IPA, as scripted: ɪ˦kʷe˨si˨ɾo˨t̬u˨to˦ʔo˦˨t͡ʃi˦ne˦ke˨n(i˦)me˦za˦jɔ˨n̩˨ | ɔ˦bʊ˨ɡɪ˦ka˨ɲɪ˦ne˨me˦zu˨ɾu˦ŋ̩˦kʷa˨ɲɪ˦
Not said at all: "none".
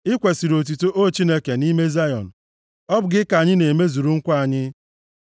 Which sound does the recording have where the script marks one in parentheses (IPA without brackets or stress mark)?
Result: i˦